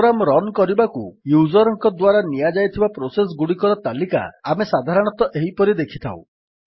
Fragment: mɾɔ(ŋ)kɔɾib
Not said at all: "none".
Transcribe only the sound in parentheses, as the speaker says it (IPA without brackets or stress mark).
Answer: n